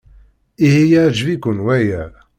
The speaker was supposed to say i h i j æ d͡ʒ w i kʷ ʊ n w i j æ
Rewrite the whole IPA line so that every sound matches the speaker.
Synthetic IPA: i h i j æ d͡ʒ v i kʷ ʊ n w æ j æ